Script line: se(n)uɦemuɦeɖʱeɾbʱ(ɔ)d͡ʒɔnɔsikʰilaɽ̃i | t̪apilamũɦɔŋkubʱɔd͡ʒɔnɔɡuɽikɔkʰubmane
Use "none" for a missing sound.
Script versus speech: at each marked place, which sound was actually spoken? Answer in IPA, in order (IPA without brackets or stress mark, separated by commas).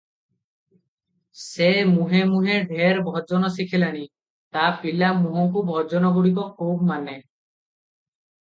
m, ɔ